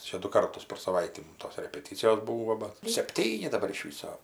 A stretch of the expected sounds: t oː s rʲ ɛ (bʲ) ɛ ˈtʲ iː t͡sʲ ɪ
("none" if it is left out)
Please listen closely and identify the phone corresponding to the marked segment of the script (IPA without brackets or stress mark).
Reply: pʲ